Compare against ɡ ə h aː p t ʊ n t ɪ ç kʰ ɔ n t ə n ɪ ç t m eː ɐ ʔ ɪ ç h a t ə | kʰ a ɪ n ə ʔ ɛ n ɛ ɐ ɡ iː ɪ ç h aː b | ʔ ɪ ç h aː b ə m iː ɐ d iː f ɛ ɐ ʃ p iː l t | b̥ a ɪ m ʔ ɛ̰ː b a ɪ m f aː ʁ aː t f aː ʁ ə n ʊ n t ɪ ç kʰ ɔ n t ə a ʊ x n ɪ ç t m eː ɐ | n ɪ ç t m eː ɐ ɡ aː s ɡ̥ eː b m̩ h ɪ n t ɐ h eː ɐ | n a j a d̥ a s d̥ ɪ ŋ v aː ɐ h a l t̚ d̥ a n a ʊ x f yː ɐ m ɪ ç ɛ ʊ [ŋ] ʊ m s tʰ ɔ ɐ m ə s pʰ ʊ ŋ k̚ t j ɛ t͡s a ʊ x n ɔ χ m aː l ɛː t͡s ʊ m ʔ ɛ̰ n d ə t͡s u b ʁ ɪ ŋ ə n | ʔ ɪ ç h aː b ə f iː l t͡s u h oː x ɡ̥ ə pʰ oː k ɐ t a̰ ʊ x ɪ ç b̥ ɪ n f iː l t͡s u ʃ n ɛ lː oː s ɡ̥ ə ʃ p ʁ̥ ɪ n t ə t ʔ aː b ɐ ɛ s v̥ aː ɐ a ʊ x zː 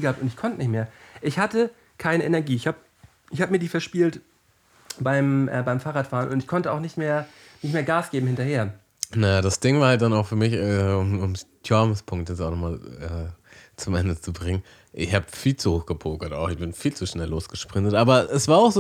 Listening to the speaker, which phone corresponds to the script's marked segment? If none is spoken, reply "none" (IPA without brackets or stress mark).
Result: m